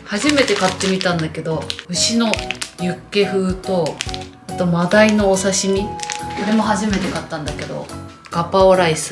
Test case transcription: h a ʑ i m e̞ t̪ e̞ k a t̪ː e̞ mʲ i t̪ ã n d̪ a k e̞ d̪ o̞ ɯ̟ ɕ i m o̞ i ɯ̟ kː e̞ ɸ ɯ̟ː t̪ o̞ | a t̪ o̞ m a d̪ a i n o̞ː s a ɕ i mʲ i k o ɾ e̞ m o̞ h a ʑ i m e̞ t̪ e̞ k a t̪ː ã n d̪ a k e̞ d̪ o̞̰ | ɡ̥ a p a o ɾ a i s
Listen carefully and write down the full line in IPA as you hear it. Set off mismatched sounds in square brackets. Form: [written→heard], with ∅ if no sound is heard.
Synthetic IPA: h a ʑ i m e̞ t̪ e̞ k a t̪ː e̞ mʲ i t̪ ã n d̪ a k e̞ d̪ o̞ ɯ̟ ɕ i [m→n] o̞ [i→j] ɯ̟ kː e̞ ɸ ɯ̟ː t̪ o̞ | a t̪ o̞ m a d̪ a i n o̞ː s a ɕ i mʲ i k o ɾ e̞ m o̞ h a ʑ i m e̞ t̪ e̞ k a t̪ː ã n d̪ a k e̞ d̪ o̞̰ | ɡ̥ a p a o ɾ a i s